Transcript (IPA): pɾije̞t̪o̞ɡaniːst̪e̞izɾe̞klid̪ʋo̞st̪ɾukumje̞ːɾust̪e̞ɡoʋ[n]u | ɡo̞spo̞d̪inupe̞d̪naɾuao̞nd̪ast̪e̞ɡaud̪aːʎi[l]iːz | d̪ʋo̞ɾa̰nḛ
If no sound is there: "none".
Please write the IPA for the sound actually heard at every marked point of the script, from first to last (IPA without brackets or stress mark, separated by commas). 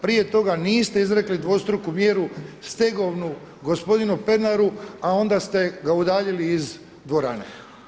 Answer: n, l